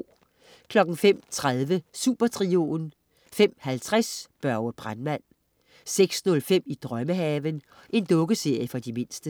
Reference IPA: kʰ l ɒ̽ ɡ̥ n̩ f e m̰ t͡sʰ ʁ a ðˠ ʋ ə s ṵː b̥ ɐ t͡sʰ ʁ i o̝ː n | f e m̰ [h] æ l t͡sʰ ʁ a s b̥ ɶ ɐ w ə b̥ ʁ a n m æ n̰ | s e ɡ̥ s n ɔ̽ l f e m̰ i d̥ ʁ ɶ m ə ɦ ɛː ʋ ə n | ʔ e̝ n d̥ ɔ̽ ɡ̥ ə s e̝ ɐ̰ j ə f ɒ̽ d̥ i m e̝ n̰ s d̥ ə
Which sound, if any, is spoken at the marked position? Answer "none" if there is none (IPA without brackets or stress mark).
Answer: h